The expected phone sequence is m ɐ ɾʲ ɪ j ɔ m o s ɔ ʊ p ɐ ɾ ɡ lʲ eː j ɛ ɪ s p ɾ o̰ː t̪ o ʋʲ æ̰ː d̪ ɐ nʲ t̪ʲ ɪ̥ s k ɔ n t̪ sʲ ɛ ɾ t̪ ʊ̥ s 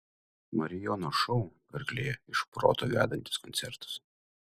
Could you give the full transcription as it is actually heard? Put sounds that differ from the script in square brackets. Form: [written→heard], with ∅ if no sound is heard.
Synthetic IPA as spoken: m ɐ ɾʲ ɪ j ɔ [m→n] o [s→ʃ] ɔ ʊ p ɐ ɾ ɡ lʲ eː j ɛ ɪ [s→ʃ] p ɾ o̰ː t̪ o ʋʲ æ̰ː d̪ ɐ nʲ t̪ʲ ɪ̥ s k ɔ n t̪ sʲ ɛ ɾ t̪ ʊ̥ s

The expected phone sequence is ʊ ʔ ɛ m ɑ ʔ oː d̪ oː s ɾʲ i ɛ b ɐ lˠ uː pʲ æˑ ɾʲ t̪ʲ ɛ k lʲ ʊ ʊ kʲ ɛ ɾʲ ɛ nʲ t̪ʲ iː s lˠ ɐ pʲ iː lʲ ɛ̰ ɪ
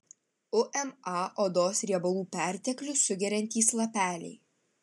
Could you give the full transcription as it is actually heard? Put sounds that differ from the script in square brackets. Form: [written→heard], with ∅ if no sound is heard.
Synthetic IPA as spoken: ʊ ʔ ɛ m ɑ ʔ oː d̪ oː s ɾʲ i ɛ b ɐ lˠ uː pʲ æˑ ɾʲ t̪ʲ ɛ k lʲ ʊ ʊ [kʲ→ɡʲ] ɛ ɾʲ ɛ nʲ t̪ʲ iː s lˠ ɐ pʲ [iː→æː] lʲ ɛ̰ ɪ

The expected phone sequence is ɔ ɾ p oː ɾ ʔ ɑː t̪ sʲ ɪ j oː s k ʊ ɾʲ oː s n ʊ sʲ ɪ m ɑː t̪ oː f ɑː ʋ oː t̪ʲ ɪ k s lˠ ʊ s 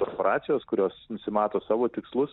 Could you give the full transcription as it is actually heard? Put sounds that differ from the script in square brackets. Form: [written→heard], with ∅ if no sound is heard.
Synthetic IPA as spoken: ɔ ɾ p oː ɾ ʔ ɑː t̪ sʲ ɪ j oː s k ʊ ɾʲ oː s n ʊ sʲ ɪ m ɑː t̪ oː [f→s] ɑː ʋ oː t̪ʲ ɪ k s lˠ ʊ s

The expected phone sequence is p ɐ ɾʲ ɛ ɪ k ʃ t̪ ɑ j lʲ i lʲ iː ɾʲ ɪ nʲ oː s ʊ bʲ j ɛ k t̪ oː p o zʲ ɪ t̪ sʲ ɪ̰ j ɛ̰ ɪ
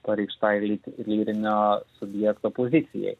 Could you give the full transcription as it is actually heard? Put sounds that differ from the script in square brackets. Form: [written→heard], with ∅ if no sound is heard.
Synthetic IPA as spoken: p ɐ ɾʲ ɛ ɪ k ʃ t̪ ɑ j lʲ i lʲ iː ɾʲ ɪ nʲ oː s ʊ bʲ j ɛ k t̪ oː p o zʲ ɪ t̪ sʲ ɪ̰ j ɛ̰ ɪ

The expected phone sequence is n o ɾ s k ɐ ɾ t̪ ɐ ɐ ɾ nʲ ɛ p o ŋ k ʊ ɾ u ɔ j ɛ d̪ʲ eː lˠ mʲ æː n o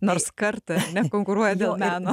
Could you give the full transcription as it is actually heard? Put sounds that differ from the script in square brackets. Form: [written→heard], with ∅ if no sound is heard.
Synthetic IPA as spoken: n o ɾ s k ɐ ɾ t̪ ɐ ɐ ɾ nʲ ɛ [p→k] o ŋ k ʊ ɾ u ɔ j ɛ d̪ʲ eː lˠ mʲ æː n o

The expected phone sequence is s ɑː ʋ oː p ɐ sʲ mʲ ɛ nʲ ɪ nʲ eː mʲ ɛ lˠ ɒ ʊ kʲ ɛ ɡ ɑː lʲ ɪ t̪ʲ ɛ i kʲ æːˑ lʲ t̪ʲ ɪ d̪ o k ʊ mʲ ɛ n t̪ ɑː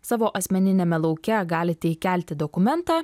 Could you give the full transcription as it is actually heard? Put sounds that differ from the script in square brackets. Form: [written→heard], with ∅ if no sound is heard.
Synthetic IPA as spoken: s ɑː ʋ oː [p→ʔ] ɐ sʲ mʲ ɛ nʲ ɪ nʲ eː mʲ ɛ lˠ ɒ ʊ kʲ ɛ ɡ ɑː lʲ ɪ t̪ʲ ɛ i kʲ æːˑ lʲ t̪ʲ ɪ d̪ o k ʊ mʲ ɛ n t̪ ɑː

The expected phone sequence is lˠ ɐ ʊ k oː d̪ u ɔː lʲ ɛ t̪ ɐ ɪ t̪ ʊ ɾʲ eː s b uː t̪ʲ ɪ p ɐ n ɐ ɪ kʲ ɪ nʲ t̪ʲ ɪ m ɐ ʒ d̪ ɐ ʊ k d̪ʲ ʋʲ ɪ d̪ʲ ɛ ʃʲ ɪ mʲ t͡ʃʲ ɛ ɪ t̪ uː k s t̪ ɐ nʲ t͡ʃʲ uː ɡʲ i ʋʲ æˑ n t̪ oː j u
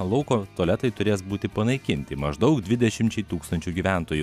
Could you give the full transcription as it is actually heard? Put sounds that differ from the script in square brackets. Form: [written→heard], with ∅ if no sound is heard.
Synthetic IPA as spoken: lˠ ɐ ʊ k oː [d̪→t̪] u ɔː lʲ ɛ t̪ ɐ ɪ t̪ ʊ ɾʲ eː s b uː t̪ʲ ɪ p ɐ n ɐ ɪ kʲ ɪ nʲ t̪ʲ ɪ m ɐ ʒ d̪ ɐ ʊ k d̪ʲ ʋʲ ɪ d̪ʲ ɛ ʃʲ ɪ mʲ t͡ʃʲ ɛ ɪ t̪ uː k s t̪ ɐ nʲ t͡ʃʲ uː ɡʲ i ʋʲ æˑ n t̪ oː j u

